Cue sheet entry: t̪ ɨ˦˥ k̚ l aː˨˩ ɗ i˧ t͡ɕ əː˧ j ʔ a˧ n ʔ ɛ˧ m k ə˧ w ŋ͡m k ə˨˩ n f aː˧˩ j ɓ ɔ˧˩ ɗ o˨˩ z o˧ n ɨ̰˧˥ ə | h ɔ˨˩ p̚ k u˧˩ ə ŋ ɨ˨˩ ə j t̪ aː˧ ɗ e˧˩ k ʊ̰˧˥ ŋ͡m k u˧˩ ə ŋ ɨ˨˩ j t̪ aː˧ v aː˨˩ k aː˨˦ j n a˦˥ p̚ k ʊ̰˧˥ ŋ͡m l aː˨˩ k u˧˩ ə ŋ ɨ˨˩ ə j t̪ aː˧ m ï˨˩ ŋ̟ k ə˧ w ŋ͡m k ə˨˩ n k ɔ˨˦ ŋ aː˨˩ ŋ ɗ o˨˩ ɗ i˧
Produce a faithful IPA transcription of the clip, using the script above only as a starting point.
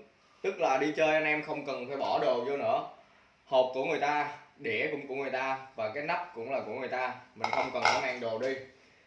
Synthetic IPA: t̪ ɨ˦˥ k̚ l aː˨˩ ɗ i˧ t͡ɕ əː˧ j ʔ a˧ n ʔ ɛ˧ m x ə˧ w ŋ͡m k ə˨˩ n f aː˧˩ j ɓ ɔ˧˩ ɗ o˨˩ z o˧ n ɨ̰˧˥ ə | h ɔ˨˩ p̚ k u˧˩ ə ŋ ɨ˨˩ ə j t̪ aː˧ ɗ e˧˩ k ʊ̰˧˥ ŋ͡m k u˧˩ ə ŋ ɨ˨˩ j t̪ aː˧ v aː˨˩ k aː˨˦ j n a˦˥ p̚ k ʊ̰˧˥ ŋ͡m l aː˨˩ k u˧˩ ə ŋ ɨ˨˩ ə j t̪ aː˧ m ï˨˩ ŋ̟ x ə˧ w ŋ͡m k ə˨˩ n k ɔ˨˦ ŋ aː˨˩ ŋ ɗ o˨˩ ɗ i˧